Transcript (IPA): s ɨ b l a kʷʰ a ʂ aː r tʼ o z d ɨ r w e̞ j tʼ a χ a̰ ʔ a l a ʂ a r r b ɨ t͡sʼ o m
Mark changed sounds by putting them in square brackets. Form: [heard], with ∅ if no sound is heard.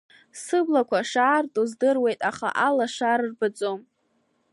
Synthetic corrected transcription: s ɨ b l a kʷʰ a ʂ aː r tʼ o z d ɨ r w e̞ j tʼ a χ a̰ ʔ a l a ʂ a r r b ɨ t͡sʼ o m